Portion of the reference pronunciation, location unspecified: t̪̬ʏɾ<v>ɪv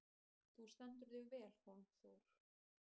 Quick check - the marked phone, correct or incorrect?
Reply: incorrect: ð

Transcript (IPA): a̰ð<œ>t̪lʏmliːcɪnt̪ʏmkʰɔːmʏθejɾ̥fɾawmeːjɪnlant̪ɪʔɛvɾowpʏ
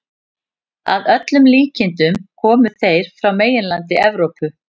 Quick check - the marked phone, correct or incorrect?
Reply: correct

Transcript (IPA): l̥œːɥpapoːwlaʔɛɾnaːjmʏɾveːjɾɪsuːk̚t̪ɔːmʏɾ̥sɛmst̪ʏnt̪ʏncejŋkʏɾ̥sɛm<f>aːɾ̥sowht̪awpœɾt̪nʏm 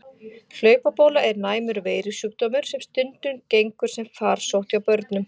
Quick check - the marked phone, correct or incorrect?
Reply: correct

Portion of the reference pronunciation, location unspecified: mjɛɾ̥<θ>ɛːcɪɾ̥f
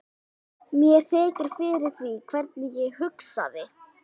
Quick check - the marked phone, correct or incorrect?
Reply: correct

